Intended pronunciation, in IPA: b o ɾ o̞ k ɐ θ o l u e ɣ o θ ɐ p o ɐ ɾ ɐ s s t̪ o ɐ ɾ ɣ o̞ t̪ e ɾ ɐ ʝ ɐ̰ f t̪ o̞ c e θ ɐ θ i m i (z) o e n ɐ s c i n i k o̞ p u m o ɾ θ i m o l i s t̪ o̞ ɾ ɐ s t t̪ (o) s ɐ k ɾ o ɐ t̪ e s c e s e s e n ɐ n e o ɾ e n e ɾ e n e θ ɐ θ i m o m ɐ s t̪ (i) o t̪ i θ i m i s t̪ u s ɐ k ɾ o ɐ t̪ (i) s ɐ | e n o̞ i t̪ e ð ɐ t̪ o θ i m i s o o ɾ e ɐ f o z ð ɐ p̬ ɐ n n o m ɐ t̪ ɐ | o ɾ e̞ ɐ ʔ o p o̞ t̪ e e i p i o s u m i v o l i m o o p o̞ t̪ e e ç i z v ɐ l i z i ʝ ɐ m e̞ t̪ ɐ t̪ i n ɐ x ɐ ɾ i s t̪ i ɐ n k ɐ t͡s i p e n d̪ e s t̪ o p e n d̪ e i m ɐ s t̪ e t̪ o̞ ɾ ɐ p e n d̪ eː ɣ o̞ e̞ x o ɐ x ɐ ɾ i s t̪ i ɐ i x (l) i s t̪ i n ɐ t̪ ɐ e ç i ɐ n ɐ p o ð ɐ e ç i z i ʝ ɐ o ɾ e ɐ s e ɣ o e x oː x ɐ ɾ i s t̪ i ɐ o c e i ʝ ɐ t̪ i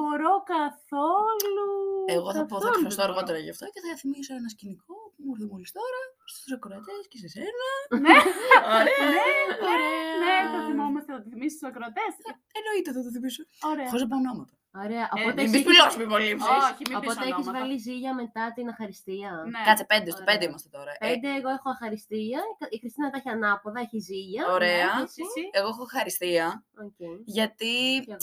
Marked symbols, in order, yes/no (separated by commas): no, no, no, no, no